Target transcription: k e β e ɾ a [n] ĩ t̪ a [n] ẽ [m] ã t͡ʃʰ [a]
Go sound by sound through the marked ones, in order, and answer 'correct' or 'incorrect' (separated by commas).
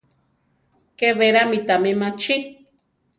incorrect, incorrect, correct, incorrect